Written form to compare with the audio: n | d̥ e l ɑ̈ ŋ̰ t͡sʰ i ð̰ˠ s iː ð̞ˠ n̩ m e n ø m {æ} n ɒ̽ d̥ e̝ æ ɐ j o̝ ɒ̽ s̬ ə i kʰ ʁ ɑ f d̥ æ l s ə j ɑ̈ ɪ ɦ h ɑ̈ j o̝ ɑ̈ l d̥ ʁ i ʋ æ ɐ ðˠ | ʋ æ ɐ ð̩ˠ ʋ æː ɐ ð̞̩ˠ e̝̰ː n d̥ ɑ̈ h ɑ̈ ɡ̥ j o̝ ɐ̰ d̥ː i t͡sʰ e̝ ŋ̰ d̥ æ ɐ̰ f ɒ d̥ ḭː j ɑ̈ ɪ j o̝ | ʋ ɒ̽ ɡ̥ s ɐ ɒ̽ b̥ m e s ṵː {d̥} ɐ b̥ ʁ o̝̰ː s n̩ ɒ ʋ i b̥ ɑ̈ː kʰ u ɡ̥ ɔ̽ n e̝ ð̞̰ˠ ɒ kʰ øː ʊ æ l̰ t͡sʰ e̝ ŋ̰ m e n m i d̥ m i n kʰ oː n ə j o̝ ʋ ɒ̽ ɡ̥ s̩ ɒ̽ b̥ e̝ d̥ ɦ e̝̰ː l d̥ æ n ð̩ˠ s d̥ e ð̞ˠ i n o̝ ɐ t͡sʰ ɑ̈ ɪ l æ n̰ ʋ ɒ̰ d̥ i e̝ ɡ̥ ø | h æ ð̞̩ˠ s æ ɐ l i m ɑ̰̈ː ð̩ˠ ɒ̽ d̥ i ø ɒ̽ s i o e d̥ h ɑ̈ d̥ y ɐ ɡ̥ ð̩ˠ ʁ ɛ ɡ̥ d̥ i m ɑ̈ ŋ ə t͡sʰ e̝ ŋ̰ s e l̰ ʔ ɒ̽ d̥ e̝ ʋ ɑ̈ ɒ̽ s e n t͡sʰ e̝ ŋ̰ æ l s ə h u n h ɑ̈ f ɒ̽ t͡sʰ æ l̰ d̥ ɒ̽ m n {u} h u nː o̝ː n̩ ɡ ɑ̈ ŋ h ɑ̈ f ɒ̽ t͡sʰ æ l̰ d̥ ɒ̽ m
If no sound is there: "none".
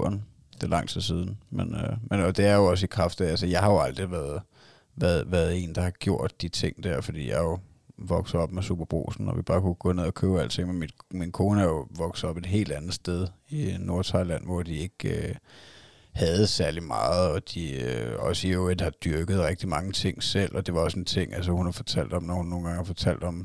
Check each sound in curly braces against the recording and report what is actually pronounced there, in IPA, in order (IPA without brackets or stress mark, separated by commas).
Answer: e, b̥, ɒ